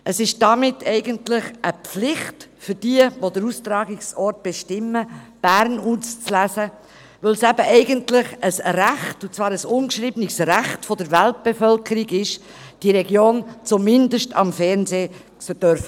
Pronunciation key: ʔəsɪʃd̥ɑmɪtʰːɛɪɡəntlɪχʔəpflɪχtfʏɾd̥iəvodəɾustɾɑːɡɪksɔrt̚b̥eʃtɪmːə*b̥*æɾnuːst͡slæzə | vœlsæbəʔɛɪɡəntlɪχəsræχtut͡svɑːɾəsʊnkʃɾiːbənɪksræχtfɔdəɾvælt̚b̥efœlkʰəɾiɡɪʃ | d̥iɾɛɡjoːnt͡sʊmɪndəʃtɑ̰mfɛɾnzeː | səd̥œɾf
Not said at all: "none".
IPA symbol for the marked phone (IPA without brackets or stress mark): b̥